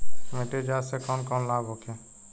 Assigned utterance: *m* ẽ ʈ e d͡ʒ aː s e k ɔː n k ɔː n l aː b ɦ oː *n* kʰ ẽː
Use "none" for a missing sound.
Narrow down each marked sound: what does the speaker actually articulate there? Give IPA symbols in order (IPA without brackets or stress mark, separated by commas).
m, none